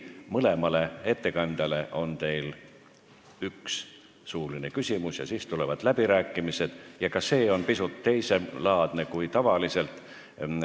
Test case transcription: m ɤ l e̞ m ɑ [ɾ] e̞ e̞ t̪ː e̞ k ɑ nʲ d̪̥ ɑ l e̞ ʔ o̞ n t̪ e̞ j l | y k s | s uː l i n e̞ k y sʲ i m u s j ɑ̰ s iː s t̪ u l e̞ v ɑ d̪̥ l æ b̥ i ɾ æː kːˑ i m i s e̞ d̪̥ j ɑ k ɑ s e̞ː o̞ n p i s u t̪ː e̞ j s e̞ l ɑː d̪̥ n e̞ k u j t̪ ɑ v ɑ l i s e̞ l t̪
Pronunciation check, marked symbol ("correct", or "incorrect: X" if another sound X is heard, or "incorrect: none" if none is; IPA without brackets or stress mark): incorrect: l